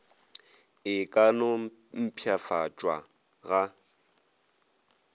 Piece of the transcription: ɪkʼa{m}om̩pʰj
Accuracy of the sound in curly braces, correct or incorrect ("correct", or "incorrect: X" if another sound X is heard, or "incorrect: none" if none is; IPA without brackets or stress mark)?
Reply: incorrect: n